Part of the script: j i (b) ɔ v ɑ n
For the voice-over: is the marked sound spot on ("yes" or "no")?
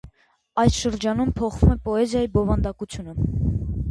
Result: yes